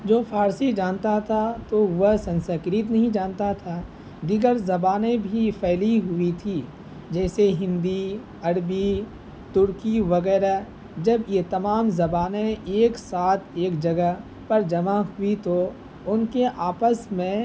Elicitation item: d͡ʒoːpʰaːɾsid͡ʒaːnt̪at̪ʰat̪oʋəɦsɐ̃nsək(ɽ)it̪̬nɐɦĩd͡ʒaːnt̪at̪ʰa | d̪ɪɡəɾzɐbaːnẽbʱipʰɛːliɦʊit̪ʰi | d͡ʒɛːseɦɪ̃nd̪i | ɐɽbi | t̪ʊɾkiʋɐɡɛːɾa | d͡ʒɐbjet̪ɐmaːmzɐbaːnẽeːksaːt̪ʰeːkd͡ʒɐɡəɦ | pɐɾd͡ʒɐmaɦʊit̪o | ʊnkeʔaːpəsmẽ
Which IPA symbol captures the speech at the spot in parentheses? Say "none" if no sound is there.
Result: ɾ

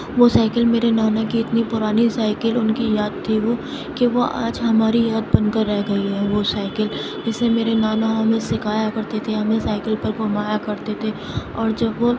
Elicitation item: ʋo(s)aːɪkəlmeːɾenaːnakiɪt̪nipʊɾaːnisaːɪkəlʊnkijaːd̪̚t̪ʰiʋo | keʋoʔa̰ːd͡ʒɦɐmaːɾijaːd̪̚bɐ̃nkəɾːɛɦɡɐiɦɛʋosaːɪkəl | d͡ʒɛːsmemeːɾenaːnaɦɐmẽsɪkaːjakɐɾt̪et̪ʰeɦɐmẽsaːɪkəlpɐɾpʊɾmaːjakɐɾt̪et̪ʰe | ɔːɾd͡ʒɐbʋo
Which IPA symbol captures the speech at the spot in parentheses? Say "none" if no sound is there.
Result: s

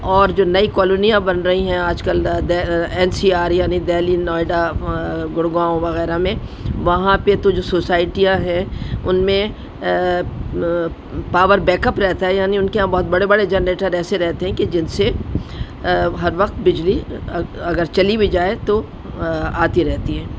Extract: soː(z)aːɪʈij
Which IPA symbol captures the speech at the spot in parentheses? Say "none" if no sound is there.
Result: s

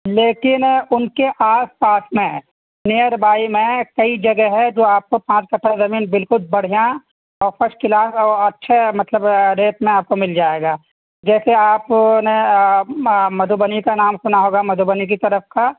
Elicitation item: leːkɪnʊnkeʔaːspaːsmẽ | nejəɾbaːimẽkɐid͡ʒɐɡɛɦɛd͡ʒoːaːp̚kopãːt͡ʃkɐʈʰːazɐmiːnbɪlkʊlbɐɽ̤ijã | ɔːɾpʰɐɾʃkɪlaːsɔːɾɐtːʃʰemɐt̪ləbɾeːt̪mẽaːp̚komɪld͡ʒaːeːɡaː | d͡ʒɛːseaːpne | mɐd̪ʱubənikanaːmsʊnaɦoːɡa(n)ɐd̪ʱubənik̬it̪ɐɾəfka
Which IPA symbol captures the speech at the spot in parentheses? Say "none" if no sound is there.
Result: m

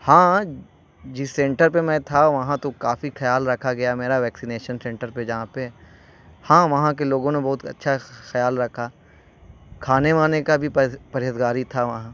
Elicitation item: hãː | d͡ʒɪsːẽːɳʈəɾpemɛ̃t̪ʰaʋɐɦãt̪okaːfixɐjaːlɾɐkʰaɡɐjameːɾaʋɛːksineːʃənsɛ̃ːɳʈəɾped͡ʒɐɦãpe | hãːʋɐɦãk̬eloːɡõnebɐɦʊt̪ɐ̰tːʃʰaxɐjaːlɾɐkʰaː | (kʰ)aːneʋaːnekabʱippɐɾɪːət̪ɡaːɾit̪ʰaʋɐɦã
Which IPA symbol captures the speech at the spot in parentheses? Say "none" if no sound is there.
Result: kʰ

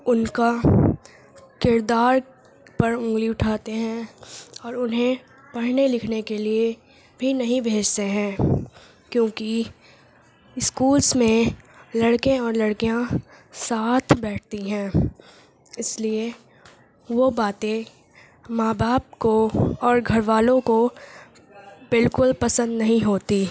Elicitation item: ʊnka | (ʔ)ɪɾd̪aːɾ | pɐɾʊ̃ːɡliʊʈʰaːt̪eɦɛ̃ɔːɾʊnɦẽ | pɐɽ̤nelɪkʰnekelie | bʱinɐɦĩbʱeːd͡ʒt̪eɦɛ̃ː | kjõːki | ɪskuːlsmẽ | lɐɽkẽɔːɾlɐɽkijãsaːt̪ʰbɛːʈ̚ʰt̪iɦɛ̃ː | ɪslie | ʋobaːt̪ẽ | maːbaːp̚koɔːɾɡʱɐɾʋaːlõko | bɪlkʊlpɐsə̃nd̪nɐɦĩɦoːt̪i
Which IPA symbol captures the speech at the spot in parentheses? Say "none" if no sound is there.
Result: k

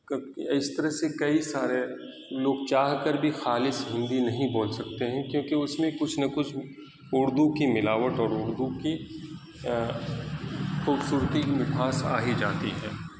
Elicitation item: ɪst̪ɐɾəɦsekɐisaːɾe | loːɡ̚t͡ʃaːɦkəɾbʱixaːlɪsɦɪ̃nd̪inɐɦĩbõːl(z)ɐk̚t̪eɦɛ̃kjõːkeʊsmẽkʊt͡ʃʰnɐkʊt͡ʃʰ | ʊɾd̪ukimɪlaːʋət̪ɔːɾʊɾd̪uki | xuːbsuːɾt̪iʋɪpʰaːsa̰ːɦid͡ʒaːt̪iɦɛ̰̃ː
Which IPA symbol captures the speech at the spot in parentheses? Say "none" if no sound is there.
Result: s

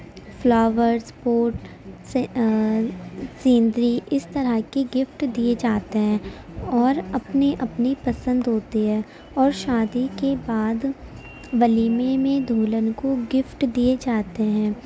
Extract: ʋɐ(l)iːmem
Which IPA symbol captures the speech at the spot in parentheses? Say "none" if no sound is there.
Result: l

